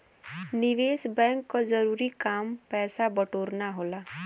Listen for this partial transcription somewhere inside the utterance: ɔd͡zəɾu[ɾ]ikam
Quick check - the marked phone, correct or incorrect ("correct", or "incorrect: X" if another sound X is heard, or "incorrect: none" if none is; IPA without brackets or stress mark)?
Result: correct